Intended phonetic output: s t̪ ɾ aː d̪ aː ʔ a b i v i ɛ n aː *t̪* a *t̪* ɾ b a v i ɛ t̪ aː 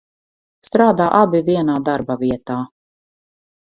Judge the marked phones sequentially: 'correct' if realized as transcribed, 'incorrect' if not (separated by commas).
incorrect, incorrect